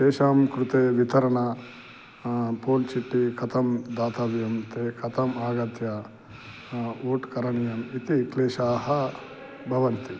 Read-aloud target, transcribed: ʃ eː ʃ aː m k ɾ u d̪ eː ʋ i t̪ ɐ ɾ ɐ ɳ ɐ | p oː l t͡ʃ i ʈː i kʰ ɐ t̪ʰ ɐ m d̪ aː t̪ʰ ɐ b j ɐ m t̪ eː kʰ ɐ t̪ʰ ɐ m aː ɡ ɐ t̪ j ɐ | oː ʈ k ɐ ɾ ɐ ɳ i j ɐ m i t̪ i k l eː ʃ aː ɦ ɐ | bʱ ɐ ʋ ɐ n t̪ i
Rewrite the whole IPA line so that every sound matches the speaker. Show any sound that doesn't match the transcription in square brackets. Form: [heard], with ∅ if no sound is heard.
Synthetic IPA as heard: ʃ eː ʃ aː m k ɾ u [t̪] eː ʋ i t̪ ɐ ɾ ɐ ɳ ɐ | p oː l t͡ʃ i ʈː i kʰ ɐ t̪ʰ ɐ m d̪ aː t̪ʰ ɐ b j ɐ m t̪ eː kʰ ɐ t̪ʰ ɐ m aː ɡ ɐ t̪ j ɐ | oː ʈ k ɐ ɾ ɐ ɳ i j ɐ m i t̪ i k l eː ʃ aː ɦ ɐ | bʱ ɐ ʋ ɐ n t̪ i